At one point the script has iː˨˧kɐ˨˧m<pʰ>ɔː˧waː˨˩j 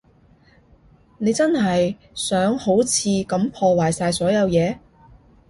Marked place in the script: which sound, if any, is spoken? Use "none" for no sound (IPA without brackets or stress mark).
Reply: pʰ